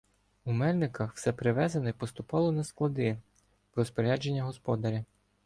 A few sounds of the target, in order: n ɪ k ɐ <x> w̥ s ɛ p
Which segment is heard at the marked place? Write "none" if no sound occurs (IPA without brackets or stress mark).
x